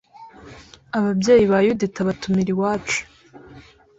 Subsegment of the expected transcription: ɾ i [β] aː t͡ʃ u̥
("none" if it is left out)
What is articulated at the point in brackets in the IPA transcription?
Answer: w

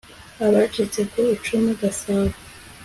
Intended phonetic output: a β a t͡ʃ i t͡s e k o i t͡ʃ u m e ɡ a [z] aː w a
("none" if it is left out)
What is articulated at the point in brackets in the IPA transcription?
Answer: s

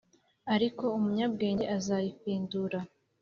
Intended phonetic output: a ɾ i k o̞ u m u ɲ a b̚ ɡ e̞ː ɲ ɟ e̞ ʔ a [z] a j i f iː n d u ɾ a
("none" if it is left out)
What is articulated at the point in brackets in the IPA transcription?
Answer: z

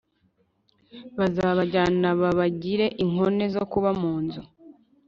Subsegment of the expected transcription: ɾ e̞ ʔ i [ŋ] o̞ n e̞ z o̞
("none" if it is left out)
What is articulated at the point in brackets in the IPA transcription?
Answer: ŋ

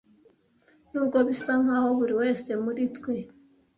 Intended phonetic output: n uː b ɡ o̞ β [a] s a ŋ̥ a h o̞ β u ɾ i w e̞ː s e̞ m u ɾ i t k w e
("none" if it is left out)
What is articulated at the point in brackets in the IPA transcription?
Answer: i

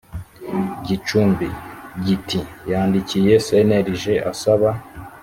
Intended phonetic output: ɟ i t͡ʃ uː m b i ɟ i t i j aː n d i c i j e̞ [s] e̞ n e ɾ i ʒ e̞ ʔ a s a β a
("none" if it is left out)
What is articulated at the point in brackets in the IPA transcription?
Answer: s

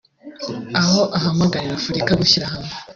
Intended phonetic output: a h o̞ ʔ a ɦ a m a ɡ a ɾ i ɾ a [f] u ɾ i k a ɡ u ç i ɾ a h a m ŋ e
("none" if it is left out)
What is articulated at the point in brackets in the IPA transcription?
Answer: f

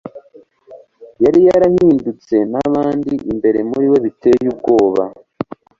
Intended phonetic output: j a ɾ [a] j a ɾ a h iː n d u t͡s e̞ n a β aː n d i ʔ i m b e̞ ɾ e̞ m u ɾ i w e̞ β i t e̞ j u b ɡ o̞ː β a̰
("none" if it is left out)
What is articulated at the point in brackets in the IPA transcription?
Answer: i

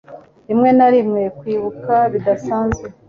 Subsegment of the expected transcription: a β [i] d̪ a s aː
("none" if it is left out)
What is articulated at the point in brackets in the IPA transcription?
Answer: i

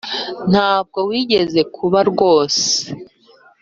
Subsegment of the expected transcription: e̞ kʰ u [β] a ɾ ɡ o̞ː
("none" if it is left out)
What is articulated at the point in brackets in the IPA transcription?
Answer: β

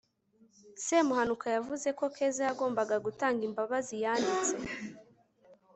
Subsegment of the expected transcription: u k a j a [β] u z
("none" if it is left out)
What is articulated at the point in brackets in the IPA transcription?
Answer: v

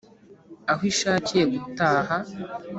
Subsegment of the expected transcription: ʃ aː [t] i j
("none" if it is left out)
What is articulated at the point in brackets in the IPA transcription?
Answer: c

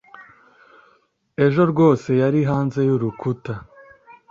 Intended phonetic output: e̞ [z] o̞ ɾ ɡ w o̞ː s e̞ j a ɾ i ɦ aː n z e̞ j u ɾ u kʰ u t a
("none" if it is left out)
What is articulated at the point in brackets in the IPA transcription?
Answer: ʒ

